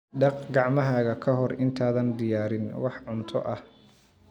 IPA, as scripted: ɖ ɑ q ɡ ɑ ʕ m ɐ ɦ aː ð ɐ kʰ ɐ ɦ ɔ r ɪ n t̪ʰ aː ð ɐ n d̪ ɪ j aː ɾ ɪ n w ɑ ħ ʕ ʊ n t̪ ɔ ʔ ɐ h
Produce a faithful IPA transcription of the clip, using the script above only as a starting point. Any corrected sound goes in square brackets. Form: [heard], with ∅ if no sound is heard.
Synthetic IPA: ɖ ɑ q ɡ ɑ ʕ m ɐ ɦ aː [ɣ] ɐ kʰ ɐ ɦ ɔ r ɪ n t̪ʰ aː ð ɐ n d̪ ɪ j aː ɾ ɪ n w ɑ ħ ʕ ʊ n [t̪ʰ] ɔ ʔ ɐ h

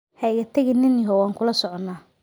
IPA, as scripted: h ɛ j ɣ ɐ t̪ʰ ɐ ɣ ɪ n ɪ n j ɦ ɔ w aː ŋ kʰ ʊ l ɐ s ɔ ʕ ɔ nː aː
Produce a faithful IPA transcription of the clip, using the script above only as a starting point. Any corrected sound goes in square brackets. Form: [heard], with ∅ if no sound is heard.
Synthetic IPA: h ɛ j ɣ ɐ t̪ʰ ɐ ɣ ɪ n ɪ n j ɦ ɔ w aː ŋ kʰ ʊ l ɐ s ɔ ʕ ɔ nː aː

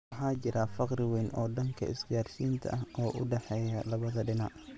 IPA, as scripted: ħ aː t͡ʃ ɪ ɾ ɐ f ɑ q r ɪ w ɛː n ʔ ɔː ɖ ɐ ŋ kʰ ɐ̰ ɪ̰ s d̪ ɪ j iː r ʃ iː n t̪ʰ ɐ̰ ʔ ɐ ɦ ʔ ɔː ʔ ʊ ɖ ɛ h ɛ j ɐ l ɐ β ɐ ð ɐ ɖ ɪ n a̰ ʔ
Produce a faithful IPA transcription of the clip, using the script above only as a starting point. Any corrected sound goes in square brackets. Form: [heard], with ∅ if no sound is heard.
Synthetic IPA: ħ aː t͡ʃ ɪ ɾ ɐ f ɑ q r ɪ w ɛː n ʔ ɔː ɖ ɐ ŋ kʰ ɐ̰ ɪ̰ s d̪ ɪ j [aː] r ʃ iː n t̪ʰ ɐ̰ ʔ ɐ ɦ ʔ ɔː ʔ ʊ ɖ ɛ [ħ] ɛ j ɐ l ɐ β ɐ ð ɐ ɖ ɪ n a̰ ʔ

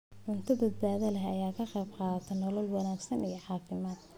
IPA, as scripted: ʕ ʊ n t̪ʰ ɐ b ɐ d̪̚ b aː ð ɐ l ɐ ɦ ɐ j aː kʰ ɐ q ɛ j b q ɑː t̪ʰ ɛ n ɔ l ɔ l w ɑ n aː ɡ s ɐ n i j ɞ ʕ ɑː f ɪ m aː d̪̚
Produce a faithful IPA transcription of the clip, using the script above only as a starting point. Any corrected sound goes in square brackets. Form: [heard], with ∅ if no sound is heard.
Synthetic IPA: ʕ ʊ n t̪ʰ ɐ b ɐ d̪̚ b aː ð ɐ l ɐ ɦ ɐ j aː kʰ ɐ q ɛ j b q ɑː t̪ʰ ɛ n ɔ l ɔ l w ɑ n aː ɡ s ɐ n i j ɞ ʕ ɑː f ɪ m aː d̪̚

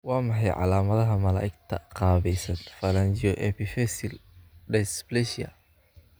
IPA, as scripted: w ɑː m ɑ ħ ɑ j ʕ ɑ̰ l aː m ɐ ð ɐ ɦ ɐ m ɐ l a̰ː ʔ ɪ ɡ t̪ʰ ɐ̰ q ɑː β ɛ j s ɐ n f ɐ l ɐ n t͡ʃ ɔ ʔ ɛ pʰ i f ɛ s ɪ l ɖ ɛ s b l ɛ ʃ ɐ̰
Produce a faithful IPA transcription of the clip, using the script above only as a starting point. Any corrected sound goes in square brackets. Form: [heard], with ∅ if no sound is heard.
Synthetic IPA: w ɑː m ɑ ħ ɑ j ʕ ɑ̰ l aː m ɐ ð ɐ ɦ ɐ m ɐ l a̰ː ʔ ɪ ɡ t̪ʰ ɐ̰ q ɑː β ɛ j s ɐ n f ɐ l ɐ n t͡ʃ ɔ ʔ ɛ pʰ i f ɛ s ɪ l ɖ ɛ s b l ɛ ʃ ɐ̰

